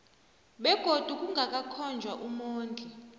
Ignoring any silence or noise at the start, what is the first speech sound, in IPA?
ɓ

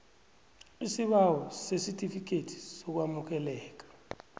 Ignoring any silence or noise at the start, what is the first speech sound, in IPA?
i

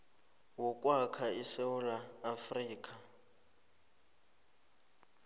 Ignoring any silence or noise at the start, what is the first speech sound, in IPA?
w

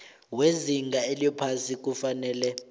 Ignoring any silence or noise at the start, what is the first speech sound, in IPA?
w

